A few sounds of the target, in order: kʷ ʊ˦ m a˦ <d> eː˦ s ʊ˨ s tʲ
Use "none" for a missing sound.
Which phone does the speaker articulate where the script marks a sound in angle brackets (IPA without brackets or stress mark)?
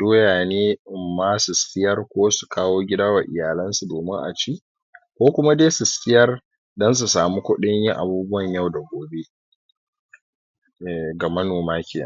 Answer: d